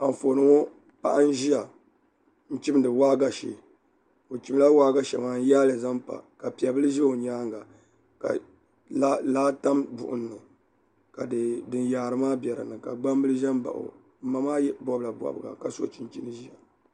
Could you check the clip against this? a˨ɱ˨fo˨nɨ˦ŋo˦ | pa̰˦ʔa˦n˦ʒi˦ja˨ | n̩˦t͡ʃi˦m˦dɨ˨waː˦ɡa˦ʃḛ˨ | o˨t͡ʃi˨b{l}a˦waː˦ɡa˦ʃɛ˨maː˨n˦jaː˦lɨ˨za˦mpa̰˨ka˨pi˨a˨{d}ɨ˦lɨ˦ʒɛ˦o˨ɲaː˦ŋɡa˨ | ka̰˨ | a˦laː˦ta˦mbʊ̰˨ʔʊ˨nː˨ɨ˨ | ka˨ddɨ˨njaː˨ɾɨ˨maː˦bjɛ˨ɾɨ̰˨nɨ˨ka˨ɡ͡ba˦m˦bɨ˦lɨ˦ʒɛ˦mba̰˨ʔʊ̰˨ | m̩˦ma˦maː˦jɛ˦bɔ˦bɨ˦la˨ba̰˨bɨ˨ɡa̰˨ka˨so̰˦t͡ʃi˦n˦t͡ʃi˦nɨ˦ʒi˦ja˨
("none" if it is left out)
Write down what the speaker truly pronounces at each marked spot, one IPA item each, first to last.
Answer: l, b

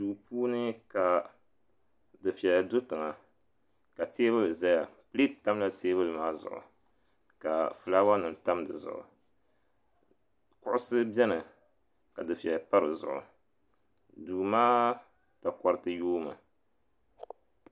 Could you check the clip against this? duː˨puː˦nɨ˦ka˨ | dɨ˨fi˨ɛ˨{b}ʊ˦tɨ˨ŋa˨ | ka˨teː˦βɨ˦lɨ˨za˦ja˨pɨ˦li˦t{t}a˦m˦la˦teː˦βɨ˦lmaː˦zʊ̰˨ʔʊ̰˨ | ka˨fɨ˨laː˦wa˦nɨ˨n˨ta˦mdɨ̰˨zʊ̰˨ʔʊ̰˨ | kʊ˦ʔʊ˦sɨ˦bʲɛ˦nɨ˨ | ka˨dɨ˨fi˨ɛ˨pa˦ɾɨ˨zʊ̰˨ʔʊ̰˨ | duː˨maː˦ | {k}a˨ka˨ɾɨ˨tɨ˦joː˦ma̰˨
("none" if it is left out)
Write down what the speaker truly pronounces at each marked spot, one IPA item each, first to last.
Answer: d, t, t

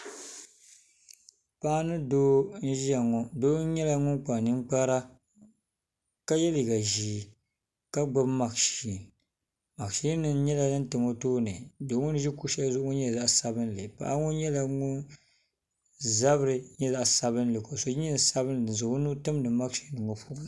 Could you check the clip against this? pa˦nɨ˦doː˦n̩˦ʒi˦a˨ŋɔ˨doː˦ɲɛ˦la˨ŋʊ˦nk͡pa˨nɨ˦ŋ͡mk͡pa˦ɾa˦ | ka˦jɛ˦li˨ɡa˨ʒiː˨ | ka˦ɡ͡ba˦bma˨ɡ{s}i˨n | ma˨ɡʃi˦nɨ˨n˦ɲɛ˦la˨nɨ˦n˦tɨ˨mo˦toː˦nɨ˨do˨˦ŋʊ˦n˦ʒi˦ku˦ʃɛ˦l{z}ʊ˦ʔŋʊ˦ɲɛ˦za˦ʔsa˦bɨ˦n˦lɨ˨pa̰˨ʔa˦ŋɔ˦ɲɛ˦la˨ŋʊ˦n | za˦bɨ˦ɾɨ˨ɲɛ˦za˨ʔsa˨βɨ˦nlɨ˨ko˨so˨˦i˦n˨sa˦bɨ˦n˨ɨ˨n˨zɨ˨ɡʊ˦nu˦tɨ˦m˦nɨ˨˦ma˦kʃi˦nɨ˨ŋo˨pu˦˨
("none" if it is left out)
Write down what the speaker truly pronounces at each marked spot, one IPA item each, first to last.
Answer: ʃ, z

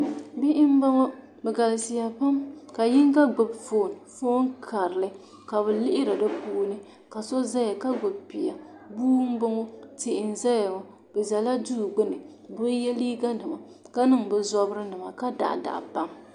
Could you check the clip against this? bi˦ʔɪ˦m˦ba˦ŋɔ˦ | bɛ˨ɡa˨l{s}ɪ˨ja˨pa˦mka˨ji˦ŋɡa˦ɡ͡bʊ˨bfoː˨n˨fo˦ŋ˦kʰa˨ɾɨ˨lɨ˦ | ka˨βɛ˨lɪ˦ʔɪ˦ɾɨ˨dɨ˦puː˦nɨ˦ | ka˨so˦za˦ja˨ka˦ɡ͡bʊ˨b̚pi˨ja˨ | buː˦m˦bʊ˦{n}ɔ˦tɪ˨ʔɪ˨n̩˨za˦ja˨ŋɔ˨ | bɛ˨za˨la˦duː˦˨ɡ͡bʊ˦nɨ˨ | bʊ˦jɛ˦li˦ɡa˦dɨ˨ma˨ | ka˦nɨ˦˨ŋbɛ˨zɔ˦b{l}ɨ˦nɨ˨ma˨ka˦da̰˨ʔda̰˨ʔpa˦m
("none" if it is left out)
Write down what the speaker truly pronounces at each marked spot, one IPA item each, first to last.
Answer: s, ŋ, ɾ

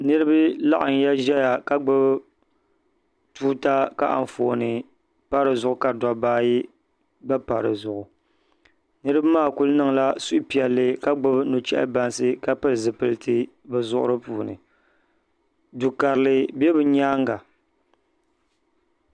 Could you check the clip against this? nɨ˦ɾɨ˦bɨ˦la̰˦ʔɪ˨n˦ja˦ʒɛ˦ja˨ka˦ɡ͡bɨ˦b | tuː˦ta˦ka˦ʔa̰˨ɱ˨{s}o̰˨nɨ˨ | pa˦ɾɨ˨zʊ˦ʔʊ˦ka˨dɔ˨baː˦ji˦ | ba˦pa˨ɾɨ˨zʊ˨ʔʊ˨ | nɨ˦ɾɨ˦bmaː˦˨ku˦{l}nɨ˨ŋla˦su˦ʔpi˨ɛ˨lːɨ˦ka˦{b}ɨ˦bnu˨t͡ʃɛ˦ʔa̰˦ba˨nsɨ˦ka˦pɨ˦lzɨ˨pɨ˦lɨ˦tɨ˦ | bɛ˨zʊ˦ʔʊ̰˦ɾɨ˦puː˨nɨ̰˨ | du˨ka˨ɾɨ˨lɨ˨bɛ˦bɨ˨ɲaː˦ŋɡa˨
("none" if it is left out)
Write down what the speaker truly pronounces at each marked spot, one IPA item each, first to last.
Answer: f, l, ɡ͡b

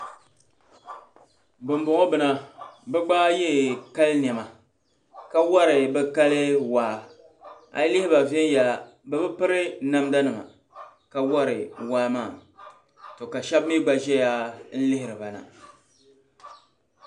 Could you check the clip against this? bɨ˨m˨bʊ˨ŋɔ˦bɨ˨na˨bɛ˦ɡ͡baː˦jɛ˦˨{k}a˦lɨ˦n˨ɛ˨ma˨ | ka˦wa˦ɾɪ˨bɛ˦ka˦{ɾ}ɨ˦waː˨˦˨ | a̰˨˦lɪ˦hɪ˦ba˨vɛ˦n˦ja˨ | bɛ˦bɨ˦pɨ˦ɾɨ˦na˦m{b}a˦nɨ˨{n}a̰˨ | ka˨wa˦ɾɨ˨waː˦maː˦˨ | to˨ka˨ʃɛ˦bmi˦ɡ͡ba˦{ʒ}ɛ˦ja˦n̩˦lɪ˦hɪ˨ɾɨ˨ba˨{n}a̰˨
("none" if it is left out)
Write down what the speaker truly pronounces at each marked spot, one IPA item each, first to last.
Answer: k, l, d, m, ʒ, n

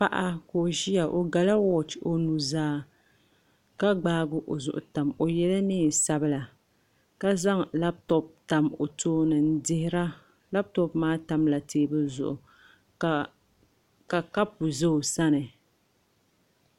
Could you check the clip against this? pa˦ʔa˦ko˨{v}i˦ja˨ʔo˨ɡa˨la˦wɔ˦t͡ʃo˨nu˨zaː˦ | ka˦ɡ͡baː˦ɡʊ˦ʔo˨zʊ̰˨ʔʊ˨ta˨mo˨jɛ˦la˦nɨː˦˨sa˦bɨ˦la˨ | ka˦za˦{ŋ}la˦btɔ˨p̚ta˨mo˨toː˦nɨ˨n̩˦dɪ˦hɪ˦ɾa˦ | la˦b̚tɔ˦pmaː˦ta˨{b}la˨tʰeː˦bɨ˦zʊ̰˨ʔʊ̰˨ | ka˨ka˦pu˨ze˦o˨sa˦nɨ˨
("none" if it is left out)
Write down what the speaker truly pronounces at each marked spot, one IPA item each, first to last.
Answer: ʒ, ŋ, m

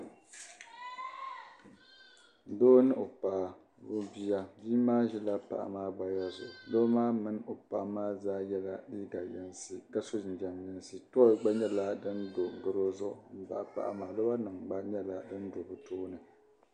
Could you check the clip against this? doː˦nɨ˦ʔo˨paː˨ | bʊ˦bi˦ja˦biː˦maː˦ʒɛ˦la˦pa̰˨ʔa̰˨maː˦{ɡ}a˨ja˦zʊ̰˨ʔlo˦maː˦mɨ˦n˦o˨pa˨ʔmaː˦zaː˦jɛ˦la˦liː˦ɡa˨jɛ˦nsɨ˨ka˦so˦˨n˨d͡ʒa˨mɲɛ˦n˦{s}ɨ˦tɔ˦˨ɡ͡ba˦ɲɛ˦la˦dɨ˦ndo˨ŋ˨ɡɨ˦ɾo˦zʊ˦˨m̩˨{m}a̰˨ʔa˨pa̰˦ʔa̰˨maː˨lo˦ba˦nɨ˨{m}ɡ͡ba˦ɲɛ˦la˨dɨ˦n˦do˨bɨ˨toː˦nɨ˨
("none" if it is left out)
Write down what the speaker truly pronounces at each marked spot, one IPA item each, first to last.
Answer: ɡ͡b, s, b, ŋ

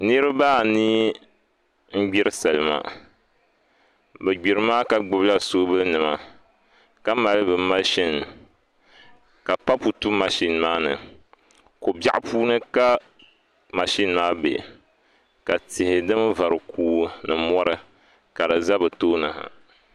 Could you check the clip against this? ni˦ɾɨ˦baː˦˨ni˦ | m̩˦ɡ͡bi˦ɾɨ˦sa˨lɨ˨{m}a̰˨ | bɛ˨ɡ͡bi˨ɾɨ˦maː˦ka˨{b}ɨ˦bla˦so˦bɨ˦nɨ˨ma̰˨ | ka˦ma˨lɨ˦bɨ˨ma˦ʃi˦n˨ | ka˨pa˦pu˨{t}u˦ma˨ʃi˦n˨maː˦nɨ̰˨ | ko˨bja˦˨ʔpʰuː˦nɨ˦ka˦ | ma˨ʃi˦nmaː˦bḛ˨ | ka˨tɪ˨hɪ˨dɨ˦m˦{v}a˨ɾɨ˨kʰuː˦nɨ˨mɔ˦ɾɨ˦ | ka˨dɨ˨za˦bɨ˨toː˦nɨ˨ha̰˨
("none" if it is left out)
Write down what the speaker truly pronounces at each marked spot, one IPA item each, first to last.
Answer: m, ɡ͡b, t, v

